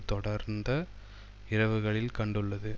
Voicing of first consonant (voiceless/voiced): voiceless